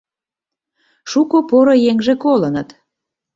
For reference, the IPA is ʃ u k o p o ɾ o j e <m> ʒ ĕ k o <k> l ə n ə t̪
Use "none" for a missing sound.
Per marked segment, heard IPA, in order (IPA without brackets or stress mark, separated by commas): ŋ, none